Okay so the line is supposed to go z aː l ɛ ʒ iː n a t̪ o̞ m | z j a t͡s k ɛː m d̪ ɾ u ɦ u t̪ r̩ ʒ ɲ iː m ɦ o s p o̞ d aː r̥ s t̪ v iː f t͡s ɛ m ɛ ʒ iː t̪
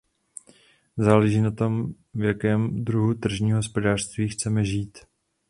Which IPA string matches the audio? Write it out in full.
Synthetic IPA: z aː l ɛ ʒ iː n a t̪ o̞ m | v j a k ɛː m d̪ ɾ u ɦ u t̪ r̩ ʒ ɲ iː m ɦ o s p o̞ d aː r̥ s t̪ v iː x t͡s ɛ m ɛ ʒ iː t̪